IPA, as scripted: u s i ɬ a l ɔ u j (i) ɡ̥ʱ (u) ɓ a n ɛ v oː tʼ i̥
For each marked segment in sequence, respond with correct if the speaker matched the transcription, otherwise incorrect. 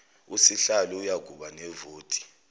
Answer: incorrect: a, correct

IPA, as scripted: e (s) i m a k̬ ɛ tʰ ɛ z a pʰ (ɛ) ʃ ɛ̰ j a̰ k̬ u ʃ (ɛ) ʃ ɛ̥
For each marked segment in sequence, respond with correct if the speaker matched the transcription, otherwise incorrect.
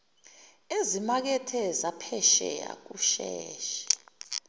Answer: incorrect: z, correct, incorrect: ɛː

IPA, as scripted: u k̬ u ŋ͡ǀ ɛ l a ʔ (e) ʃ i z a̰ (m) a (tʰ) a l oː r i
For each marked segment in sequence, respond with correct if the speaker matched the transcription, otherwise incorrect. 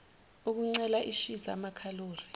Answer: incorrect: i, correct, incorrect: kʰ

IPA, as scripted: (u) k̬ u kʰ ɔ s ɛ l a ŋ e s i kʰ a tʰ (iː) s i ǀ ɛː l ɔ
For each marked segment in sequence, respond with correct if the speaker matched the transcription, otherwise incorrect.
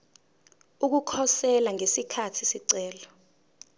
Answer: correct, incorrect: i

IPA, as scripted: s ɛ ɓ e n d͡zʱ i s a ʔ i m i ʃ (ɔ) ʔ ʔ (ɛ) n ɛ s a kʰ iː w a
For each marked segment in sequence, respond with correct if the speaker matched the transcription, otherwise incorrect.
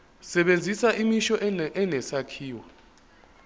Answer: correct, correct

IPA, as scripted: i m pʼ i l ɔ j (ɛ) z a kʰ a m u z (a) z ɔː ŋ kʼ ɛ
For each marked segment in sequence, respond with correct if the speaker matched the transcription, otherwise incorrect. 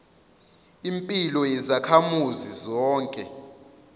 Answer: correct, incorrect: i

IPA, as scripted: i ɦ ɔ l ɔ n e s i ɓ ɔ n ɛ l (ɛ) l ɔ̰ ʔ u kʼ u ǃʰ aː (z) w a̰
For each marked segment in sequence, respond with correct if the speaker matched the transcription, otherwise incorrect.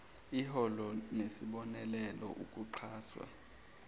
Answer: correct, incorrect: s

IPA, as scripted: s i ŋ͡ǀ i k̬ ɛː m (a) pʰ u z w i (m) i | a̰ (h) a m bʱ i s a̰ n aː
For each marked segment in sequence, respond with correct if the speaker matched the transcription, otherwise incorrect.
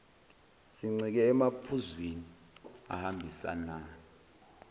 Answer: correct, incorrect: n, correct

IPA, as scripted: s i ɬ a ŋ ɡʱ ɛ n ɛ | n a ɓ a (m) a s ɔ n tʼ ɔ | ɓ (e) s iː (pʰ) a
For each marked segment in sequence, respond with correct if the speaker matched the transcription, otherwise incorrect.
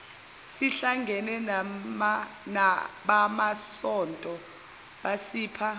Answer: correct, incorrect: a, correct

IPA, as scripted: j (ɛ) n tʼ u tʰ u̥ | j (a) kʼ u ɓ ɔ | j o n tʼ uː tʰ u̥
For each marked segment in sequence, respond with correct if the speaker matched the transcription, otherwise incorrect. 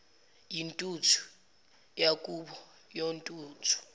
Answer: incorrect: i, correct

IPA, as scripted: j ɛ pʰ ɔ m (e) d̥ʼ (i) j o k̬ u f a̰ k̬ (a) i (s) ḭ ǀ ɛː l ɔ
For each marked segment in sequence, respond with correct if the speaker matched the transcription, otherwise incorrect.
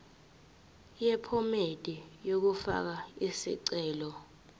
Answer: correct, correct, correct, correct

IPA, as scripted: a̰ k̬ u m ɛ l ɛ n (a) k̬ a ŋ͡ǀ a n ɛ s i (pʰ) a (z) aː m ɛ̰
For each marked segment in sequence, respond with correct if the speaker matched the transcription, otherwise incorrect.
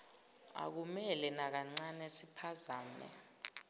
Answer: correct, correct, correct

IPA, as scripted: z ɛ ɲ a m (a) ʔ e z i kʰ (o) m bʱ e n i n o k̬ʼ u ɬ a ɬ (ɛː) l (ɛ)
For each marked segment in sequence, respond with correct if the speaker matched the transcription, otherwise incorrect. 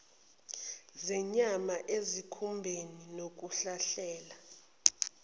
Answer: correct, incorrect: u, correct, incorrect: a

